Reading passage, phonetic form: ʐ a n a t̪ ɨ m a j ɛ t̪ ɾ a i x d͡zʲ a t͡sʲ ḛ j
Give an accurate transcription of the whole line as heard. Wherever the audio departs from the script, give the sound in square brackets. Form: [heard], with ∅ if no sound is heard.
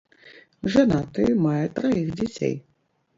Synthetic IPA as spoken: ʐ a n a t̪ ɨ m a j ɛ t̪ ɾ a i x d͡zʲ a t͡sʲ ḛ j